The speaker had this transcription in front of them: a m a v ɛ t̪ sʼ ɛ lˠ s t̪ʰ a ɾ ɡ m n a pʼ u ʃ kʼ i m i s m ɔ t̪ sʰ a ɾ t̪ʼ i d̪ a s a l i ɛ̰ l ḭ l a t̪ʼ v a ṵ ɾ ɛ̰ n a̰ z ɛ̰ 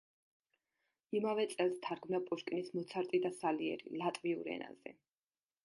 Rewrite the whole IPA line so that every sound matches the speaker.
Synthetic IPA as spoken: i m a v ɛ t̪ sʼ ɛ lˠ s t̪ʰ a ɾ ɡ m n a pʼ u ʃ kʼ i n i s m ɔ t̪ sʰ a ɾ t̪ʼ i d̪ a s a l i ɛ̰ ɾ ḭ l a t̪ʼ v i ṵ ɾ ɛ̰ n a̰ z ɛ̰